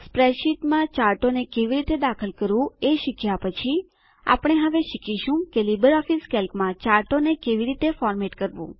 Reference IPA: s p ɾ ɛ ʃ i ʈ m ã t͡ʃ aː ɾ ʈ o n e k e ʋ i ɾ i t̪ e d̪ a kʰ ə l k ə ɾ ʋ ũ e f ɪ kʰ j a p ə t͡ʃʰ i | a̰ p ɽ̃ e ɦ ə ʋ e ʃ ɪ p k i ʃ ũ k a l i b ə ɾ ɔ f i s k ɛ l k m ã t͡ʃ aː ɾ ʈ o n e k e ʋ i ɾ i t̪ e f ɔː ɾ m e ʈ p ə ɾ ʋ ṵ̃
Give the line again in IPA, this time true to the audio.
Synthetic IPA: s p ɾ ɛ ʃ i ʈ m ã t͡ʃ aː ɾ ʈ o n e k e ʋ i ɾ i t̪ e d̪ a kʰ ə l k ə ɾ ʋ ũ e ʃ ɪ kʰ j a p ə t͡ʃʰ i | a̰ p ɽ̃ e ɦ ə ʋ e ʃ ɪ k i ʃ ũ k e l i b ə ɾ ɔ f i s k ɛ l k m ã t͡ʃ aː ɾ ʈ o n e k e ʋ i ɾ i t̪ e f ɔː ɾ m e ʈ k ə ɾ ʋ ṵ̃